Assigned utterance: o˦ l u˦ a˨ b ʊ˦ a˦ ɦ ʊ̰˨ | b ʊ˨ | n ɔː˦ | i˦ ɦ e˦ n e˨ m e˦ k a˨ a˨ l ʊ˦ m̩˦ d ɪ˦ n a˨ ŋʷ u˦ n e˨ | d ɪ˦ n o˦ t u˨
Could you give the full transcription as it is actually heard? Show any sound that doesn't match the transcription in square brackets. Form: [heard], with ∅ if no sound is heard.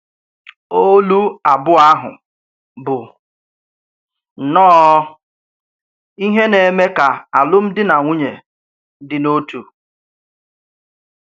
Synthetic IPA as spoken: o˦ l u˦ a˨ b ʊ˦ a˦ ɦ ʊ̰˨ | b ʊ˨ | n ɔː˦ | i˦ ɦ e˦ n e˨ m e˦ k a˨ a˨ l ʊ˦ m̩˦ d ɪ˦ n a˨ ŋʷ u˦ [ɲ] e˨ | d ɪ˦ n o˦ t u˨